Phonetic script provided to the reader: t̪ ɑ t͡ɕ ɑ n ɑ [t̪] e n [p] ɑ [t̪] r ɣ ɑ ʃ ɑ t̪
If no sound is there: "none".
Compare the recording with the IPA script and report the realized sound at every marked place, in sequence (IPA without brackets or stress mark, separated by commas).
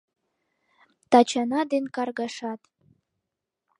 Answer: d̪, k, none